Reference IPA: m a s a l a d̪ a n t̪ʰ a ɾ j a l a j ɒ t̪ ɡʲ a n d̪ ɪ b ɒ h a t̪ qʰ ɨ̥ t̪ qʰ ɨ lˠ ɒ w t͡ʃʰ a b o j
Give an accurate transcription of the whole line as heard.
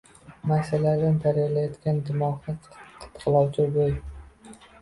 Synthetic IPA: m a s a l a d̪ a n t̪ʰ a ɾ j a l a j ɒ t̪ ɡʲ a n d̪ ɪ m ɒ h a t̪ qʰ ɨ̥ t̪ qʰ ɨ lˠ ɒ w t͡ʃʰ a b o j